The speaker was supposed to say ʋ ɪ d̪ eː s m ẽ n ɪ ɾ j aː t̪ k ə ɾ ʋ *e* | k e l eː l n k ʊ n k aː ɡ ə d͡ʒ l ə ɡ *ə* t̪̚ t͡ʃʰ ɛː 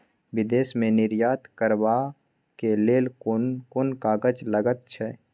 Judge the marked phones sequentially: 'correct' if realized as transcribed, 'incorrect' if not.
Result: incorrect: a, correct

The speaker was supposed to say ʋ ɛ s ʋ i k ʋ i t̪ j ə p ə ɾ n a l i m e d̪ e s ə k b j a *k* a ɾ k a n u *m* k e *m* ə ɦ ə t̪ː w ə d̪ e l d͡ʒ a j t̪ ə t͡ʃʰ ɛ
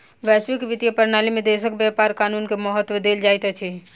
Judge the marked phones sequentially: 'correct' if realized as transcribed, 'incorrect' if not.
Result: incorrect: p, incorrect: n, correct

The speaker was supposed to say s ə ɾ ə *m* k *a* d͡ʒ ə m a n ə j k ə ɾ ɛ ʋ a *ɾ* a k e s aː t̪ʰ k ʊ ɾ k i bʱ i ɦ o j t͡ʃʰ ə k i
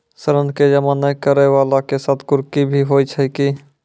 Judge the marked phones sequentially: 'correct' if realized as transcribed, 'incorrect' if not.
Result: incorrect: n, incorrect: e, incorrect: l

